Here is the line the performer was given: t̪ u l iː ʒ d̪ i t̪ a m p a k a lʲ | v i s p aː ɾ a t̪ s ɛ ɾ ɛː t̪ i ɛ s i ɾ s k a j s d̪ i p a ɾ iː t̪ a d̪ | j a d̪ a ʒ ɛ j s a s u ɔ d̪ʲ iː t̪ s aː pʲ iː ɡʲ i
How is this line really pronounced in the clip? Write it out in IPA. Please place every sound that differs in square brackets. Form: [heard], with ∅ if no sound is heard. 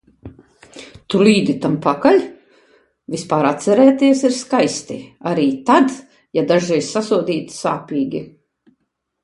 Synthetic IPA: t̪ u l iː [∅] d̪ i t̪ a m p a k a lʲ | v i s p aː ɾ a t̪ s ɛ ɾ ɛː t̪ i ɛ s i ɾ s k a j s [t̪] i [∅] a ɾ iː t̪ a d̪ | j a d̪ a ʒ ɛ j s a s u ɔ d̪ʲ iː t̪ s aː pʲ iː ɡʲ i